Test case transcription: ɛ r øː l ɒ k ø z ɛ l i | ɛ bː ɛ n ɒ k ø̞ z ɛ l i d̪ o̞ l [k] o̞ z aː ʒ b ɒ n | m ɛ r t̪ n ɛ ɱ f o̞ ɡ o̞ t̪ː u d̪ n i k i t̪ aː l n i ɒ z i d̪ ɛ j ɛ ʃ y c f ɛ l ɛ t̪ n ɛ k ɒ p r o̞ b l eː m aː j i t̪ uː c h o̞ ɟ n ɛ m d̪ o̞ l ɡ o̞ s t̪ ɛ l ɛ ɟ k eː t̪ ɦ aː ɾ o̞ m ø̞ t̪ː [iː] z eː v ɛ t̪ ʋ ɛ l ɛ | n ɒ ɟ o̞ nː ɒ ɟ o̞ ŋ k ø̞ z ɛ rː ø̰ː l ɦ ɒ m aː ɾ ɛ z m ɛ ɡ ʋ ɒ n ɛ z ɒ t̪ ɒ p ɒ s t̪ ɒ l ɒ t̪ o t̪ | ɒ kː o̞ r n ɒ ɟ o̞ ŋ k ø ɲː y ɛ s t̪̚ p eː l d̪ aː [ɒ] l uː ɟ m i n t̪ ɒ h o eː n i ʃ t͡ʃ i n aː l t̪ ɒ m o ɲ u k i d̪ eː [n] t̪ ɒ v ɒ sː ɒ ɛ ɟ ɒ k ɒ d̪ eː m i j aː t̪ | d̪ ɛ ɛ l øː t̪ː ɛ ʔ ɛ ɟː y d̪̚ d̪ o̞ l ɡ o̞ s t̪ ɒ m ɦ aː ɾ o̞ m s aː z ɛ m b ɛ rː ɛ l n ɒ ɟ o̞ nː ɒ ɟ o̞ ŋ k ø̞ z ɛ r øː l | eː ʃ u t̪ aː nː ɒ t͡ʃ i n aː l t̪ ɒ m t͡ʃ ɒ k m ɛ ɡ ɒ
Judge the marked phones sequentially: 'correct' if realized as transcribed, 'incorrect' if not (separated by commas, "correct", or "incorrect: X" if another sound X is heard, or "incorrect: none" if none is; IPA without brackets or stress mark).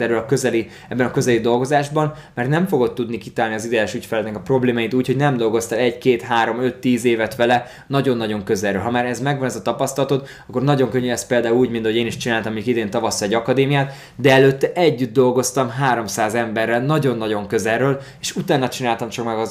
incorrect: ɡ, correct, incorrect: u, correct